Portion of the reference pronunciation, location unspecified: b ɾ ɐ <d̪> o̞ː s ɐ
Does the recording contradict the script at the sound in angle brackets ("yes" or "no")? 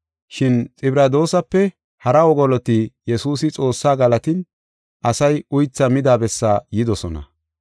no